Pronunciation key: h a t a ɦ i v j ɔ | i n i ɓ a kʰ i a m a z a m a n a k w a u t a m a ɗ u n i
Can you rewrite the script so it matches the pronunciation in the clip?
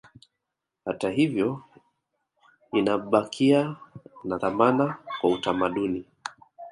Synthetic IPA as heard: h a t a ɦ i v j ɔ | i n a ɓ a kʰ i a n a ð a m a n a k w a u t a m a ɗ u n i